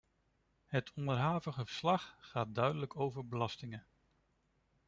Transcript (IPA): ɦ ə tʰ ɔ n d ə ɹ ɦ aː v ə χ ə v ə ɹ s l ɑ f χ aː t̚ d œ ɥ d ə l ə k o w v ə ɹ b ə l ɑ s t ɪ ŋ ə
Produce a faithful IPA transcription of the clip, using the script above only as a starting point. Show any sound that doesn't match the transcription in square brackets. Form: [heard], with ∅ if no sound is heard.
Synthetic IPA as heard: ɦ ə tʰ ɔ n d ə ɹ ɦ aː v ə χ ə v ə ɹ s l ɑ [χ] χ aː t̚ d œ ɥ d ə l ə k o w v ə ɹ b ə l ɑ s t ɪ ŋ ə